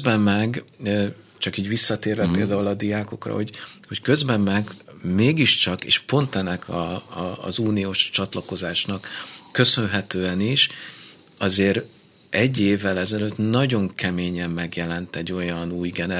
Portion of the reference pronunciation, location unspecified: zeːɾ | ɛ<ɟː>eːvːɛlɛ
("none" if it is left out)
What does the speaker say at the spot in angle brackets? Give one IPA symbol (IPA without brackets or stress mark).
ɟː